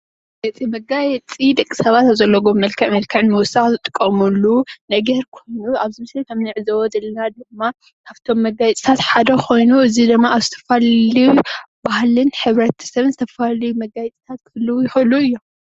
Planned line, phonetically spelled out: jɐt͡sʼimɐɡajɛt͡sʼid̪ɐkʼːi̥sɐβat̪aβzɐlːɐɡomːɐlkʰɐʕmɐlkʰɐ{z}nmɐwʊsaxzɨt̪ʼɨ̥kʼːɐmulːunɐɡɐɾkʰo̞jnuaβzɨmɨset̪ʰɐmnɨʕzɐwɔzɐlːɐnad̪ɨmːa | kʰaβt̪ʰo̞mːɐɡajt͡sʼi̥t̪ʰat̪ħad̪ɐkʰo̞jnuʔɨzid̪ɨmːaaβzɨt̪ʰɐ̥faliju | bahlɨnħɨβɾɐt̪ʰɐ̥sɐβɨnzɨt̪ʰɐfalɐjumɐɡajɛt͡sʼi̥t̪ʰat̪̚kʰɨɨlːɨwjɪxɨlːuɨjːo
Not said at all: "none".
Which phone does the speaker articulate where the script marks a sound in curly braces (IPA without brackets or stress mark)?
ʕ